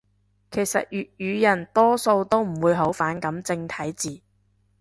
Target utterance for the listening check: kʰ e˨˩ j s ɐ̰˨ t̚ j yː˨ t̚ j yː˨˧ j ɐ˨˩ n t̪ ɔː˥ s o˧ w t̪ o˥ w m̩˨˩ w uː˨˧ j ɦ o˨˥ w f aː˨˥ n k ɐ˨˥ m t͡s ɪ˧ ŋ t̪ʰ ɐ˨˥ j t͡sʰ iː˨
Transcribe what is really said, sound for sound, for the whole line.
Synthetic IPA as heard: kʰ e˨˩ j s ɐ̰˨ t̚ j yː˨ t̚ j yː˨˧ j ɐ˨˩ n t̪ ɔː˥ s o˧ w t̪ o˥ w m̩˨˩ w uː˨˧ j ɦ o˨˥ w f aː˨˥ n k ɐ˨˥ m t͡s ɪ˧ ŋ t̪ʰ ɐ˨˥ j t͡s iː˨